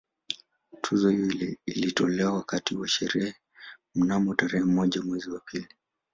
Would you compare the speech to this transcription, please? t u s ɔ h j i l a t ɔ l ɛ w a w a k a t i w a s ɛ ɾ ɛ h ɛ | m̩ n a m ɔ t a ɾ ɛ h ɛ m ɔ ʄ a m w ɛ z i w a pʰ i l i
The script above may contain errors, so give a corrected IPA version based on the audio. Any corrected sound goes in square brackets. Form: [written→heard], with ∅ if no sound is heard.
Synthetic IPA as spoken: [t→tʰ] u [s→z] ɔ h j i l [a→i] t ɔ l ɛ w a w a k a t i w a [s→ʃ] ɛ ɾ ɛ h ɛ | m̩ n a m ɔ t a ɾ ɛ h ɛ m ɔ ʄ a m w ɛ z i w a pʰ i l i